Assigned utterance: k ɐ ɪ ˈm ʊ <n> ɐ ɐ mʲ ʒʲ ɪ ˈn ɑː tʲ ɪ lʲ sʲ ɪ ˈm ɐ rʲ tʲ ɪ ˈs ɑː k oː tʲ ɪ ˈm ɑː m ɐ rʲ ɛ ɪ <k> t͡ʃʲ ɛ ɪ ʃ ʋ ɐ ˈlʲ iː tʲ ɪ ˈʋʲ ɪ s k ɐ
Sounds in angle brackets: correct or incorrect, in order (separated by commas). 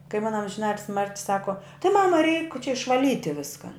correct, correct